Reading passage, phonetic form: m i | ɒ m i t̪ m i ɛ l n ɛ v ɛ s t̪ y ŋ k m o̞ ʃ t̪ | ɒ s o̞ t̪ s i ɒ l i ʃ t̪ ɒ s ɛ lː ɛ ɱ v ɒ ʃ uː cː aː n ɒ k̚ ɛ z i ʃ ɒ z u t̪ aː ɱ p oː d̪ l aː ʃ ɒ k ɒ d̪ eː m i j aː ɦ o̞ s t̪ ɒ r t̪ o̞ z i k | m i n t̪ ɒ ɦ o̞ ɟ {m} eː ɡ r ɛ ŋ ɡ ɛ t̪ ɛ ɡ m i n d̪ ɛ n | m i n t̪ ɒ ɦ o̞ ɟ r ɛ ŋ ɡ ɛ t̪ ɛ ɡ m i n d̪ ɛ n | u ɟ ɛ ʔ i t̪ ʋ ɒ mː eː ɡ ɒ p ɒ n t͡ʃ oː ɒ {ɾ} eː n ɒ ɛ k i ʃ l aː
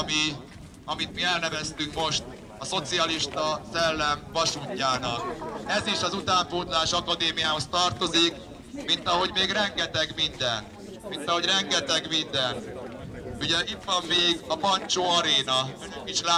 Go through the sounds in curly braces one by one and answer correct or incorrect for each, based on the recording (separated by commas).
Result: correct, correct